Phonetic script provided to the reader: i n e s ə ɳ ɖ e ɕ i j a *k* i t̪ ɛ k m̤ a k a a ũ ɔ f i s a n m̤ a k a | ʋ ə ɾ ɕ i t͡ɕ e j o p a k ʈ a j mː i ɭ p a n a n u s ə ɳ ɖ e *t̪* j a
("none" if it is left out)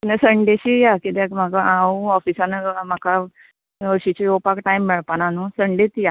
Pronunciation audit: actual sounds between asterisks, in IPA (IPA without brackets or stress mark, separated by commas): k, t̪